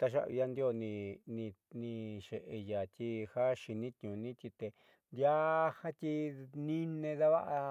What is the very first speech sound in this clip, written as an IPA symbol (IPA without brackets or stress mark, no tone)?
t̪